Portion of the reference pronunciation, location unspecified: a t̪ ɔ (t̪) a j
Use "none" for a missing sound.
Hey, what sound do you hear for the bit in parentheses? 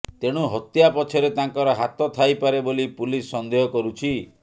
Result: t̪ʰ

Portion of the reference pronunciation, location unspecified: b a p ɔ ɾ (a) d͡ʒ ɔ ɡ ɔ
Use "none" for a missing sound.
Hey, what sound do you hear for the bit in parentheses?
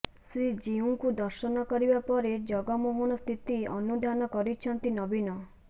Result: e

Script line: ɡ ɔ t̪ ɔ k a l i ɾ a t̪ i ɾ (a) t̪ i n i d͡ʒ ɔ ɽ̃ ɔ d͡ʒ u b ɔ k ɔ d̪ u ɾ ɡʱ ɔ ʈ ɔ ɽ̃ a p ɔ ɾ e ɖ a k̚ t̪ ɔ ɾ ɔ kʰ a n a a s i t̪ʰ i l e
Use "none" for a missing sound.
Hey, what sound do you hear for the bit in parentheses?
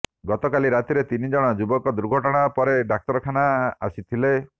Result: e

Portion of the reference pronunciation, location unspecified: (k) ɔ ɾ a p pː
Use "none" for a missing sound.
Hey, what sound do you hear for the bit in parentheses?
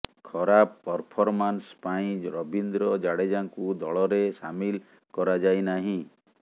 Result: kʰ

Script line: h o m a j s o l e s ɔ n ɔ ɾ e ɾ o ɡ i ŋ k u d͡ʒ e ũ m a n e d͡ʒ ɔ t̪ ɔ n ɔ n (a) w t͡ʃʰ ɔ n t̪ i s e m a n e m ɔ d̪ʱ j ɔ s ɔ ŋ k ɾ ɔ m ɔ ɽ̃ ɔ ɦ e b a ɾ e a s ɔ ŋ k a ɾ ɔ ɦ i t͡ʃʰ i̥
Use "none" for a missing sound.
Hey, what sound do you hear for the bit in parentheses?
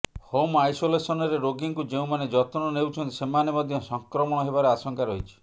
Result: e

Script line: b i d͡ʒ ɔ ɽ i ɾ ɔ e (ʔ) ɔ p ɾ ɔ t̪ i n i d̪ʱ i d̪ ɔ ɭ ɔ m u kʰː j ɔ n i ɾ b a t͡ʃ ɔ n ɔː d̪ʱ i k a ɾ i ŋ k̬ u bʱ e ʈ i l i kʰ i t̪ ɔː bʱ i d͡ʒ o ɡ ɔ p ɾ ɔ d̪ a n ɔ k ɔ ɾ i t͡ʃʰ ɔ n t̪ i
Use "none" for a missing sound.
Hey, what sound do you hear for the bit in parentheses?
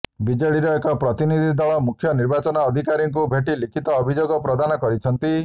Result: k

